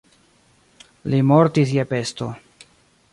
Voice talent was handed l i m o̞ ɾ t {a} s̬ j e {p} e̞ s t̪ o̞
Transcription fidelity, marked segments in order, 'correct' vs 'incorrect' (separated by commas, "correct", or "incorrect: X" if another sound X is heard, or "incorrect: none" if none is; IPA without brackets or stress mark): incorrect: i, correct